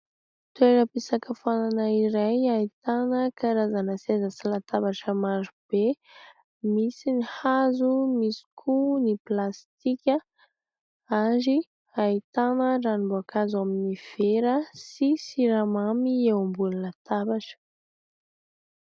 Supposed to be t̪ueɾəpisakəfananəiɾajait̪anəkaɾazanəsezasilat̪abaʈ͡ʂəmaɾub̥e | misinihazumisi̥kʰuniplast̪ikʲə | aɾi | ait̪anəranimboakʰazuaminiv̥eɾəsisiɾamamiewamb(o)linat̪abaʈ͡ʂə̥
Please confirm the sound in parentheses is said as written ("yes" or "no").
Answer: no